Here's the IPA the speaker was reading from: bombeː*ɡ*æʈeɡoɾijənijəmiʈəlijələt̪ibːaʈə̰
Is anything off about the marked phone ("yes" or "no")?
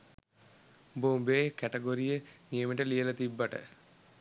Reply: yes